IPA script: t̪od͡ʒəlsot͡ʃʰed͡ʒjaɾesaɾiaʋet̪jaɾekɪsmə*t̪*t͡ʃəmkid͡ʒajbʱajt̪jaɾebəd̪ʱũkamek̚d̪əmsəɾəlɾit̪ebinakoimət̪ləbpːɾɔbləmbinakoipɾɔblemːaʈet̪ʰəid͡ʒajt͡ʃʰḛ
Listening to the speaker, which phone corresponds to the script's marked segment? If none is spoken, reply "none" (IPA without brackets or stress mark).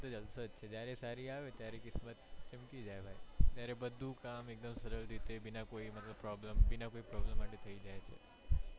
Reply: t̪